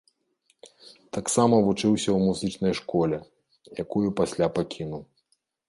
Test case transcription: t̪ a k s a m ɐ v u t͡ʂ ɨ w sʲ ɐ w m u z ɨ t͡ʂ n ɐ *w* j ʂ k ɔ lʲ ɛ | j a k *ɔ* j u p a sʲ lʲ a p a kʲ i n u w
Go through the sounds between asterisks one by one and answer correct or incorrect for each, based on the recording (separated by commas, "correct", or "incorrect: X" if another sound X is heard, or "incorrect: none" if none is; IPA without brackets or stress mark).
incorrect: none, incorrect: u